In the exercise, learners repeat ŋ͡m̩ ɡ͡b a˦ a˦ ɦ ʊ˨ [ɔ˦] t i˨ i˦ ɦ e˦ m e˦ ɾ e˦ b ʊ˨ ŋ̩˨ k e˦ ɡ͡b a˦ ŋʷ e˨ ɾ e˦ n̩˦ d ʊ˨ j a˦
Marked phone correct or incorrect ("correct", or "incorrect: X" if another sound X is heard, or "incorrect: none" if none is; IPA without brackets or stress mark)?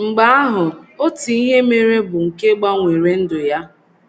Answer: incorrect: o˦